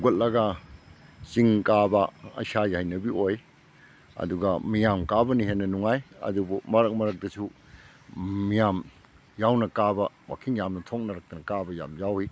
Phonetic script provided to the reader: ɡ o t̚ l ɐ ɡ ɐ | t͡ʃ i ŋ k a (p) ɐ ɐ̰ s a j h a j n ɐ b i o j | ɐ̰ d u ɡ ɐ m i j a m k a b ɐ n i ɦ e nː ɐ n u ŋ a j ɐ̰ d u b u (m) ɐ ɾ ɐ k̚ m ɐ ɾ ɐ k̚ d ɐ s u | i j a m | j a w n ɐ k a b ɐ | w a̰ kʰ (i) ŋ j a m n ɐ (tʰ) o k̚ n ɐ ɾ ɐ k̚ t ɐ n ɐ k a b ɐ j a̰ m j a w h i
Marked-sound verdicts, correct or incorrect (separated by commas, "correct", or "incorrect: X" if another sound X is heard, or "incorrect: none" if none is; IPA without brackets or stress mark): incorrect: b, correct, correct, correct